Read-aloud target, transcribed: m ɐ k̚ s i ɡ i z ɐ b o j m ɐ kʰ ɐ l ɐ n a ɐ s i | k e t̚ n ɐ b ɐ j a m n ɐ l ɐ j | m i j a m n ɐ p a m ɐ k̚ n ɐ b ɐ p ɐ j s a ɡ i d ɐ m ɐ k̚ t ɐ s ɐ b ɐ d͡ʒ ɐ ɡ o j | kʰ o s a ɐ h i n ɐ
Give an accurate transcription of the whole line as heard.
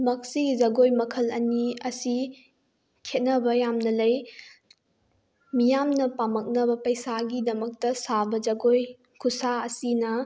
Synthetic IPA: m ɐ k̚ s i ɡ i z ɐ ɡ o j m ɐ kʰ ɐ l ɐ n i ɐ s i | kʰ e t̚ n ɐ b ɐ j a m n ɐ l ɐ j | m i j a m n ɐ p a m ɐ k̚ n ɐ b ɐ p ɐ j s a ɡ i d ɐ m ɐ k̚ t ɐ s a b ɐ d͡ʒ ɐ ɡ o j | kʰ u s a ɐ s i n ɐ

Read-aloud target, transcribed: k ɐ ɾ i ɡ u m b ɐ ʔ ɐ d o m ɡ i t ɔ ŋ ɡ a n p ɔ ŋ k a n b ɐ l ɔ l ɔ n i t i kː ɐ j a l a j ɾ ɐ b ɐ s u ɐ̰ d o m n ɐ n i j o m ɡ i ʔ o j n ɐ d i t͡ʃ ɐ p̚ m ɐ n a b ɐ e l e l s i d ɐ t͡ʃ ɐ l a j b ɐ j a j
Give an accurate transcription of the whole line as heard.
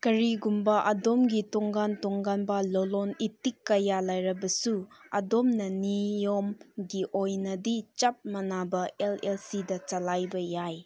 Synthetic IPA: k ɐ ɾ i ɡ u m b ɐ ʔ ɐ d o m ɡ i t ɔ ŋ ɡ a n t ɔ ŋ ɡ a n b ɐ l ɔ l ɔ n i t i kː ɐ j a l a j ɾ ɐ b ɐ s u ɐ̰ d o m n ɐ n i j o m ɡ i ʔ o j n ɐ d i t͡ʃ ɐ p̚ m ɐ n a b ɐ e l e l s i d ɐ t͡ʃ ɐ l a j b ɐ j a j

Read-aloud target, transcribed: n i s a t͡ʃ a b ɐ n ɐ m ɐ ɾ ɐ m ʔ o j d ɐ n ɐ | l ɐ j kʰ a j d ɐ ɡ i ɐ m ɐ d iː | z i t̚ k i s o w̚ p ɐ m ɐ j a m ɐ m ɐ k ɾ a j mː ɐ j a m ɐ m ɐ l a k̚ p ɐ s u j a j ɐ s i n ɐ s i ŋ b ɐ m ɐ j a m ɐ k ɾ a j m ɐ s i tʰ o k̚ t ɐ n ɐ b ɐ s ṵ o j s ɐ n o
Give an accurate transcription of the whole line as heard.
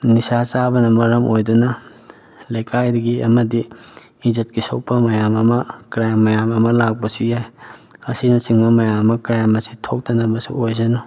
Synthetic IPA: n i s a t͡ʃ a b ɐ n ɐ m ɐ ɾ ɐ m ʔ o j d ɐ n ɐ | l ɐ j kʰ a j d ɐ ɡ i ɐ m ɐ d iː | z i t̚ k i s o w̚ p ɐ m ɐ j a m ɐ m ɐ k ɾ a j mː ɐ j a m ɐ m ɐ l a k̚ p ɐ s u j a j ɐ s i n ɐ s i ŋ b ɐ m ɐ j a m ɐ k ɾ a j m ɐ s i tʰ o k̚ t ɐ n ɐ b ɐ s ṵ o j z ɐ n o

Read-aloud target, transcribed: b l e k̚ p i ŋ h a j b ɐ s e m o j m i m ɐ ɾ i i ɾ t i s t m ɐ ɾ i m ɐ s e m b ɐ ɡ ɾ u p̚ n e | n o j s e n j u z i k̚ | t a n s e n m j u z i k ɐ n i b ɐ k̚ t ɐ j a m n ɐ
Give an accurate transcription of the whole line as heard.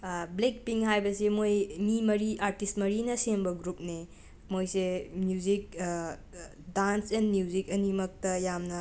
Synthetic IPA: b l e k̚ p i ŋ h a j b ɐ s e m o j m i m ɐ ɾ i a ɾ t i s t m ɐ ɾ i n ɐ s e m b ɐ ɡ ɾ u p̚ n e | m o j s e m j u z i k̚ | d a n s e n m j u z i k ɐ n i m ɐ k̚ t ɐ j a m n ɐ

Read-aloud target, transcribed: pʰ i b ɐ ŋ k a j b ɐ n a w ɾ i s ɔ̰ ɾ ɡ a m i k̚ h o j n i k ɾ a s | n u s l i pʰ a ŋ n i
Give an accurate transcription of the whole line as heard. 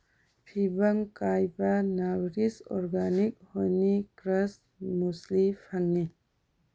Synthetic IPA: pʰ i b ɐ ŋ k a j b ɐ n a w ɾ i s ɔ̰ ɾ ɡ a n i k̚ h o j n i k ɾ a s | m u s l i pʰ a ŋ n i

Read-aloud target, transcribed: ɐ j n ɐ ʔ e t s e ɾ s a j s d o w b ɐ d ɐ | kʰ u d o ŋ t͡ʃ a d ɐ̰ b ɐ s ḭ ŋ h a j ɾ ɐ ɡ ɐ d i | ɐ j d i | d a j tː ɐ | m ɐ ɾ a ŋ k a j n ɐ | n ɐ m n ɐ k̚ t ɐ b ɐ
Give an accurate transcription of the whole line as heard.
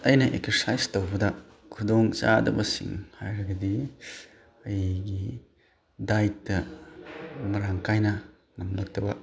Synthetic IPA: ɐ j n ɐ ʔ e k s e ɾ s a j s t o w b ɐ d ɐ | kʰ u d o ŋ t͡ʃ a d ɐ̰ b ɐ s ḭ ŋ h a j ɾ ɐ ɡ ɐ d i | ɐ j ɡ i | d a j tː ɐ | m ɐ ɾ a ŋ k a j n ɐ | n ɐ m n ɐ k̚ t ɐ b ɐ

